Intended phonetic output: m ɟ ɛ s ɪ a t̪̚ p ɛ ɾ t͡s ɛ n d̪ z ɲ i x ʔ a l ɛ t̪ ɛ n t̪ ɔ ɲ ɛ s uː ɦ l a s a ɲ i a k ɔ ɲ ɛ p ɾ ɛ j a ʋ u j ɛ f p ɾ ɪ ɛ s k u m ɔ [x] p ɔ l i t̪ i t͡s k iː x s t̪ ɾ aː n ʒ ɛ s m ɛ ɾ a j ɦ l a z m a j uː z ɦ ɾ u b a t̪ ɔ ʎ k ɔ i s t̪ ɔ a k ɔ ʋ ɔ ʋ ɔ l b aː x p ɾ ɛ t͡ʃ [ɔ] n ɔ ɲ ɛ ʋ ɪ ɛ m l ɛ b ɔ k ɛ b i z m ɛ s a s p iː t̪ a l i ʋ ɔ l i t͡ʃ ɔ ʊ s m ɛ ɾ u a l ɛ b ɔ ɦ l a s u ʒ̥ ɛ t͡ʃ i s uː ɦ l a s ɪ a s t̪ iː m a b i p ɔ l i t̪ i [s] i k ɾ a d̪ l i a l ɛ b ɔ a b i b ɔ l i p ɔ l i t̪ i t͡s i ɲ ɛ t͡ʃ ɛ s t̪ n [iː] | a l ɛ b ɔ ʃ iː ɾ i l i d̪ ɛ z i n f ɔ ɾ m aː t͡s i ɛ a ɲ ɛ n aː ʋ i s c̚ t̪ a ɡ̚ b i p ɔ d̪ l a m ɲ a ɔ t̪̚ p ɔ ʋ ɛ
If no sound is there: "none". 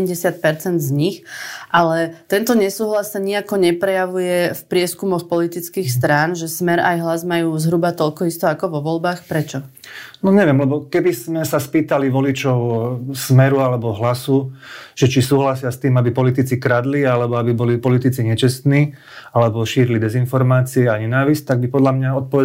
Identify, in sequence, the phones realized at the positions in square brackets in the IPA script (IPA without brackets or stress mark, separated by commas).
x, ɔ, t͡s, iː